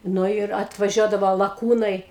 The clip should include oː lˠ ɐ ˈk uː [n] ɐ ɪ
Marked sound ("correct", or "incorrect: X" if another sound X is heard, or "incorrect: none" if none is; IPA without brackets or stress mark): correct